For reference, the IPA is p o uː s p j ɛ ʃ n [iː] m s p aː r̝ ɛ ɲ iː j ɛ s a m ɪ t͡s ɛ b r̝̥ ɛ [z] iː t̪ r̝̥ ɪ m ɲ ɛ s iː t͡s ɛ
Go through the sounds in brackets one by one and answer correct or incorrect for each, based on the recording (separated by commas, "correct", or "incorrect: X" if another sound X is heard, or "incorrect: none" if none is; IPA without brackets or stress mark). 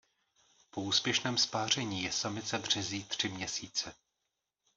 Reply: incorrect: ɛː, correct